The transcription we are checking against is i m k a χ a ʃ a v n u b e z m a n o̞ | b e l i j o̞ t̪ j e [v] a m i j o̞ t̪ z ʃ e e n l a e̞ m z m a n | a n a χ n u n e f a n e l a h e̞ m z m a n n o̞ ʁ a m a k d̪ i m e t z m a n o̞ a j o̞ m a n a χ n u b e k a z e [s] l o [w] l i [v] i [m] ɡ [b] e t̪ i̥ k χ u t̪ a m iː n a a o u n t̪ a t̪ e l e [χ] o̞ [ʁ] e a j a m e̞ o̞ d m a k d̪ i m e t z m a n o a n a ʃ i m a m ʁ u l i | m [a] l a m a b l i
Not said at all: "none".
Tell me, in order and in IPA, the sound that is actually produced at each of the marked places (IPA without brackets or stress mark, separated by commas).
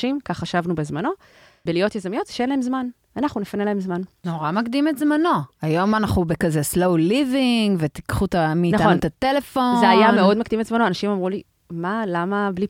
z, s, w, v, ŋ, v, f, z, a